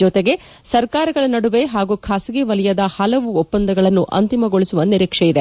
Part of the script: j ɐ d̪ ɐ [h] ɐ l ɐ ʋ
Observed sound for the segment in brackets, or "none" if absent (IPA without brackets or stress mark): h